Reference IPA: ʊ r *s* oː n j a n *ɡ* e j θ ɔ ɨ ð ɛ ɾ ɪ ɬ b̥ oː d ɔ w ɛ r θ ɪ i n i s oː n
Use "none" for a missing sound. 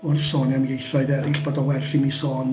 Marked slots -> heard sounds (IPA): s, ɡ

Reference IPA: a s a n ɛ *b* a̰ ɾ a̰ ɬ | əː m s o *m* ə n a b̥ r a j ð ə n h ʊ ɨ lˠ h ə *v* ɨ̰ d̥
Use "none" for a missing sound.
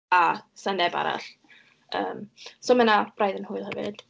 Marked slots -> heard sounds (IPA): b, m, v

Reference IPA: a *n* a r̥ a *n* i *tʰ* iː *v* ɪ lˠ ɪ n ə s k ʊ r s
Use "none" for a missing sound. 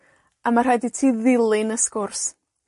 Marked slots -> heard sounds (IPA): m, d, tʰ, ð

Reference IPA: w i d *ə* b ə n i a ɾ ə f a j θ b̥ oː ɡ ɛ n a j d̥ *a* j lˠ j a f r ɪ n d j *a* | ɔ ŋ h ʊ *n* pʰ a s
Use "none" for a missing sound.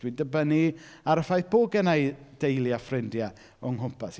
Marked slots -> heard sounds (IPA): ə, e, a, m

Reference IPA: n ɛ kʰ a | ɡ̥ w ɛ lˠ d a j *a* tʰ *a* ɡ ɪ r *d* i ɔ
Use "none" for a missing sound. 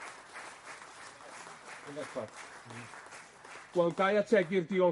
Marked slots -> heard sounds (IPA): a, ɛ, d

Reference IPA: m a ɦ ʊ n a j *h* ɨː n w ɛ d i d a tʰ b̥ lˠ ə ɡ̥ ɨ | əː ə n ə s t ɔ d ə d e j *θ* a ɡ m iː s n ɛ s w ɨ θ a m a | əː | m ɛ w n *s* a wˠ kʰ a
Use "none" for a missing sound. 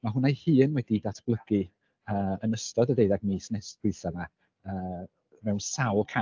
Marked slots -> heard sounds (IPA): h, ð, s

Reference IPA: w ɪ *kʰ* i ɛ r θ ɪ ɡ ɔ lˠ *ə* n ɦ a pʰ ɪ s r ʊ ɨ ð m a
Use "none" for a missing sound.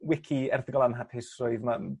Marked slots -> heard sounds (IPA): kʰ, a

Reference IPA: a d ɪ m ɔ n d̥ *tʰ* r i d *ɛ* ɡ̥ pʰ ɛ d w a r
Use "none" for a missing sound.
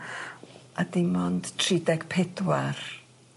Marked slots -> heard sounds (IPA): tʰ, ɛ

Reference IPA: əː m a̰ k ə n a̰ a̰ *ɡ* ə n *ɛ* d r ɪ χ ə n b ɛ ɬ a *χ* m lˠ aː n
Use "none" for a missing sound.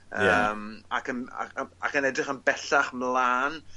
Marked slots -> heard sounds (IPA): k, ɛ, χ

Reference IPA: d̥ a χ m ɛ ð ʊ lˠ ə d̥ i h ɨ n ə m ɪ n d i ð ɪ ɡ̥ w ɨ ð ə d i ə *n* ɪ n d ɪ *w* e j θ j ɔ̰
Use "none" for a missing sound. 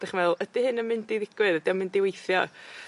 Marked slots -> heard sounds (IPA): m, w

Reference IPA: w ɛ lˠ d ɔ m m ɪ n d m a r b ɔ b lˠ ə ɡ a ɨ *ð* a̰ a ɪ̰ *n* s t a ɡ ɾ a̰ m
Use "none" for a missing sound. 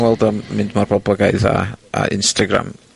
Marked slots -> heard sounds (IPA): ð, n

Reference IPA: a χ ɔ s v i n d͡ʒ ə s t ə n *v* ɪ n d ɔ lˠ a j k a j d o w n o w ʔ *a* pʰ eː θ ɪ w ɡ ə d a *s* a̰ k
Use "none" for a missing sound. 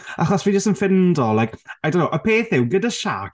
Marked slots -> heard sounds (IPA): f, ə, ʃ

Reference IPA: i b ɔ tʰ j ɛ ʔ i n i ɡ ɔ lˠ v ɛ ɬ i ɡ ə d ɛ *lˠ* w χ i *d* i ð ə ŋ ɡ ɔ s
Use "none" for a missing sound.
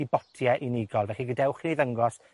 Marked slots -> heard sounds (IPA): none, n

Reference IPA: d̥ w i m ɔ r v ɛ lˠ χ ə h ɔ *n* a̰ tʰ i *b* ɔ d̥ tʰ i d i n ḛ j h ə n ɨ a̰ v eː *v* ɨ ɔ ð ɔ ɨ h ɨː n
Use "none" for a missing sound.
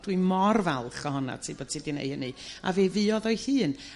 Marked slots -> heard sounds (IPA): n, b, v

